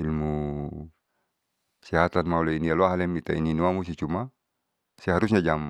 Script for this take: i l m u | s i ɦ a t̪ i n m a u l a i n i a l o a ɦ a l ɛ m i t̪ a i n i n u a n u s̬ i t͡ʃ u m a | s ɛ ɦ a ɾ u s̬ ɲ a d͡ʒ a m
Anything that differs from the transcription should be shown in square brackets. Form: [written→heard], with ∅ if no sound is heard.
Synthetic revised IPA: i l m u | s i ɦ a t̪ [i→a] n m a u l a i n i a l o a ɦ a l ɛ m i t̪ a i n i n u a [n→m] u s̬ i t͡ʃ u m a | s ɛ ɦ a ɾ u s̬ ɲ a d͡ʒ a m